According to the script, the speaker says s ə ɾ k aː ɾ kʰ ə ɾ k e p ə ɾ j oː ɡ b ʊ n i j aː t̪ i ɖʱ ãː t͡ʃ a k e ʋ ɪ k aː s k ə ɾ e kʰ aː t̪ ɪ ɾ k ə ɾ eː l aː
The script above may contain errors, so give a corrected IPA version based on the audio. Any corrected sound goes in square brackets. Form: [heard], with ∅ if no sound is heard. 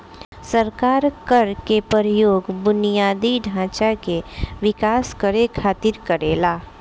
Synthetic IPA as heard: s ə ɾ k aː ɾ [k] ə ɾ k e p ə ɾ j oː ɡ b ʊ n i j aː [d̪] i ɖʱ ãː t͡ʃ a k e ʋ ɪ k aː s k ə ɾ e kʰ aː t̪ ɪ ɾ k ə ɾ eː l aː